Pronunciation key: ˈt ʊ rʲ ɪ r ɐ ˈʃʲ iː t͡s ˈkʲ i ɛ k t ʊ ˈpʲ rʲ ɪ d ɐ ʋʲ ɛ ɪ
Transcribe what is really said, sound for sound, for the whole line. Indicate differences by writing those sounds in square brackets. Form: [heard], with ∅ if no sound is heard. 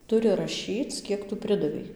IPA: ˈt ʊ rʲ ɪ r ɐ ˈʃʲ iː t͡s ˈkʲ i ɛ k t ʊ ˈpʲ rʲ ɪ d ɐ ʋʲ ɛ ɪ